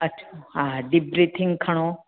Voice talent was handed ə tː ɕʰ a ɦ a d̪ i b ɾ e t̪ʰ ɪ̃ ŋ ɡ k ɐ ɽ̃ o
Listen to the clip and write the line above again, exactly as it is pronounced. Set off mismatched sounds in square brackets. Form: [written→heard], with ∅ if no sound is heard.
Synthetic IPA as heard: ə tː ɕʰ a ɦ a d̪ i b ɾ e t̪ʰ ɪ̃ ŋ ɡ [k→kʰ] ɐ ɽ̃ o